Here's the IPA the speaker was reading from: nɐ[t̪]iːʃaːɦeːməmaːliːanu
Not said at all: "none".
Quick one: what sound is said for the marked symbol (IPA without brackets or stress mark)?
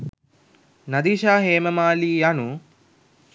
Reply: d̪